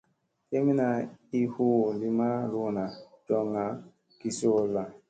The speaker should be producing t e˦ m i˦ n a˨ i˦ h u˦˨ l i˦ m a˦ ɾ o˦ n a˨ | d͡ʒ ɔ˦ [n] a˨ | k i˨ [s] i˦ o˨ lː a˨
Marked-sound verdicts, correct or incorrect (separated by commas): incorrect, correct